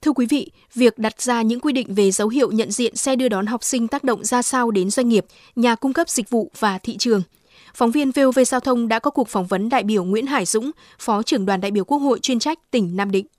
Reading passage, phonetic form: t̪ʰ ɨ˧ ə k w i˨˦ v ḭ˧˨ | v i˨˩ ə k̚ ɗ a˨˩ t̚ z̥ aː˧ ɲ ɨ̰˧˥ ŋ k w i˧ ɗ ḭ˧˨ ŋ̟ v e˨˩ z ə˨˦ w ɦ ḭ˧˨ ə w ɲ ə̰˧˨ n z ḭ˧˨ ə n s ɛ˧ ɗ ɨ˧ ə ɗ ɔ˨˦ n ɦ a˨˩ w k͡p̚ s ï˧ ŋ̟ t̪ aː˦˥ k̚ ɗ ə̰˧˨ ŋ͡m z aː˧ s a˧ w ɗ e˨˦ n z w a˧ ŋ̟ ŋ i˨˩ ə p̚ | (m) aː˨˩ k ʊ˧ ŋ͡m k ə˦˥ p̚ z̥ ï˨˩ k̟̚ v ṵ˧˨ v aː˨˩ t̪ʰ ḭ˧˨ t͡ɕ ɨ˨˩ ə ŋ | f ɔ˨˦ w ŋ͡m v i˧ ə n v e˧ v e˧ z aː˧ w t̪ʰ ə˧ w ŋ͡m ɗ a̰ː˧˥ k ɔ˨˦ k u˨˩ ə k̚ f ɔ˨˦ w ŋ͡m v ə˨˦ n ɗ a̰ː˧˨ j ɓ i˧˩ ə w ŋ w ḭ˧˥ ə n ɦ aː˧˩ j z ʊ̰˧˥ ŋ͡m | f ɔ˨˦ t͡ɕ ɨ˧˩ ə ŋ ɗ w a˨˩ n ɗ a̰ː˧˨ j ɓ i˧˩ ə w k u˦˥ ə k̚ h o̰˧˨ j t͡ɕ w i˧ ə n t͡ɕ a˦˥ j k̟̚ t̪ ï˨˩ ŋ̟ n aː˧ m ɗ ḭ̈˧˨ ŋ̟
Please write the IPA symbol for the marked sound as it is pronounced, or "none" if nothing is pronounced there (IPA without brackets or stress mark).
ɲ